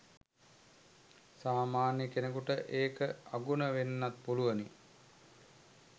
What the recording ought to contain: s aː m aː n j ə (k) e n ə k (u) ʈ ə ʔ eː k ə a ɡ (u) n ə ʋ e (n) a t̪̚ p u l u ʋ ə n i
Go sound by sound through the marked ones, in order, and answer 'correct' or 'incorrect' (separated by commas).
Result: correct, correct, correct, incorrect